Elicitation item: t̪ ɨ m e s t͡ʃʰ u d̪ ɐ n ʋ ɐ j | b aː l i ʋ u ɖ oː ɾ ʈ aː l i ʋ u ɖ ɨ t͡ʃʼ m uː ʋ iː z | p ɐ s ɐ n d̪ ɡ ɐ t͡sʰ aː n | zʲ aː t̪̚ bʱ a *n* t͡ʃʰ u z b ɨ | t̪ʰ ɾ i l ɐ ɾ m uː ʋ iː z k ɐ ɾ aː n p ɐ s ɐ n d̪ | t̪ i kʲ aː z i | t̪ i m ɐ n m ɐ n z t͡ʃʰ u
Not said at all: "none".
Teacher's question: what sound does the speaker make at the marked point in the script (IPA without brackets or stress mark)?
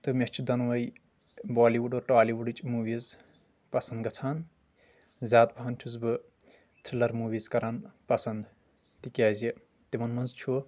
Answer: n